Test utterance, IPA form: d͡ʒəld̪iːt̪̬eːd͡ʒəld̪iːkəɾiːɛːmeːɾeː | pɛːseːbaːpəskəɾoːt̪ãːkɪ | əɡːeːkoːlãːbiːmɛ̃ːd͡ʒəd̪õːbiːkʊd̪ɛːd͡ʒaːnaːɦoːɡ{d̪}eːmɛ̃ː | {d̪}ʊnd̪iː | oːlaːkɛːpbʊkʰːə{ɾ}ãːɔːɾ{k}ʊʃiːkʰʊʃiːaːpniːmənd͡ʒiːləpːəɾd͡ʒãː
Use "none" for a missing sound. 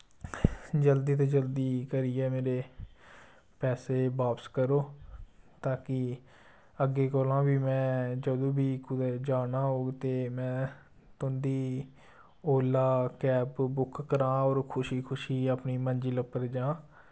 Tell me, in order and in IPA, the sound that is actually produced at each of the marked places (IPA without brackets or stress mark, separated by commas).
t̪, t̪, ɾ, kʰ